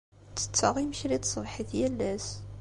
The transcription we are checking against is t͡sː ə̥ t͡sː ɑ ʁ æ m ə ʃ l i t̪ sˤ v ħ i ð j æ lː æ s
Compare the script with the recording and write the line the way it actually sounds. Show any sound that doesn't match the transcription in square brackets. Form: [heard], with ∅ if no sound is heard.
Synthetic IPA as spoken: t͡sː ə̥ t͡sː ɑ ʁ [i] m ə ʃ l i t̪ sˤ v ħ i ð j æ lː æ s